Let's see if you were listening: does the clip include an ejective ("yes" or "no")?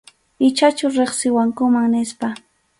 no